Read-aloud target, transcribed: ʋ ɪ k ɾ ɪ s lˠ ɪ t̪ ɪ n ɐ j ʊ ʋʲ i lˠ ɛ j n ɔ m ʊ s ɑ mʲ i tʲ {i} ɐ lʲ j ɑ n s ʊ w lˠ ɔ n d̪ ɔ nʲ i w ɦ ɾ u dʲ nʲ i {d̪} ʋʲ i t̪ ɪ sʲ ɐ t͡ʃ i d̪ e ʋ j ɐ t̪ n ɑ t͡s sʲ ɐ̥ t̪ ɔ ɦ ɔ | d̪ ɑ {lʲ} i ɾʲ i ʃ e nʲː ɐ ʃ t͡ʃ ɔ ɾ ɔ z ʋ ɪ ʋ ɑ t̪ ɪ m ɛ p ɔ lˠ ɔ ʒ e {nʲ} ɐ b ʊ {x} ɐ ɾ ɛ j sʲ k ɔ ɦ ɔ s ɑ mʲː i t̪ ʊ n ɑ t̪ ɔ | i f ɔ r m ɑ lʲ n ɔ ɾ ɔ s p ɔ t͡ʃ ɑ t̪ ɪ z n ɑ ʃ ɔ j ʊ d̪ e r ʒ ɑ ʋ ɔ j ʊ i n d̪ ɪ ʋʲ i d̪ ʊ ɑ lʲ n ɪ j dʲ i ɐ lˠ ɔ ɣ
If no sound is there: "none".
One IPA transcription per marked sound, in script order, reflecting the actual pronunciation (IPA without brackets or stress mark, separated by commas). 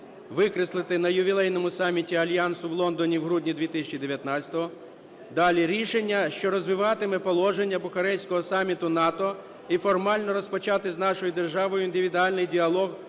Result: i, d̪, lʲ, nʲː, x